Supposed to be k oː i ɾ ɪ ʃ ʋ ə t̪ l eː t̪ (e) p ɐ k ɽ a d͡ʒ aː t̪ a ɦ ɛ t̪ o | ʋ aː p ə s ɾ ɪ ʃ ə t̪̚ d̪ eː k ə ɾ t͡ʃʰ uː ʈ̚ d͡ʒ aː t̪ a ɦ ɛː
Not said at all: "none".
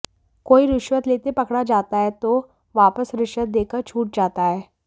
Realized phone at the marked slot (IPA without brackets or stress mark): e